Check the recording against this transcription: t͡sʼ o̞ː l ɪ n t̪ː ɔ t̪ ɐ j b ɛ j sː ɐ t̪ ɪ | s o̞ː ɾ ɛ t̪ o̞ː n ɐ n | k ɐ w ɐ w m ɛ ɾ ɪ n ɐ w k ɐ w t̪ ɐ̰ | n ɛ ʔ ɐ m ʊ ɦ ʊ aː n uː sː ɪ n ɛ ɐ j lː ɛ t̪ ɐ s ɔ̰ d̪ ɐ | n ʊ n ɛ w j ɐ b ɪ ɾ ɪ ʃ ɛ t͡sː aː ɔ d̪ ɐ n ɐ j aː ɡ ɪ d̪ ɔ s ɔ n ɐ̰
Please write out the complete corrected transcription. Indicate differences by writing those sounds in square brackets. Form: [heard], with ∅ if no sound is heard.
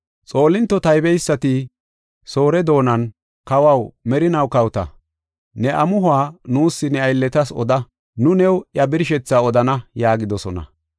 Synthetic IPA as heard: t͡sʼ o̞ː l ɪ n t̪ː ɔ t̪ ɐ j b ɛ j sː ɐ t̪ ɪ | s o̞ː ɾ ɛ [d̪] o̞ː n ɐ n | k ɐ w ɐ w m ɛ ɾ ɪ n ɐ w k ɐ w t̪ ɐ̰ | n ɛ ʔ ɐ m ʊ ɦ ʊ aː n uː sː ɪ n ɛ ɐ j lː ɛ t̪ ɐ s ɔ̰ d̪ ɐ | n ʊ n ɛ w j ɐ b ɪ ɾ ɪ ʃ ɛ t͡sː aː ɔ d̪ ɐ n ɐ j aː ɡ ɪ d̪ ɔ s ɔ n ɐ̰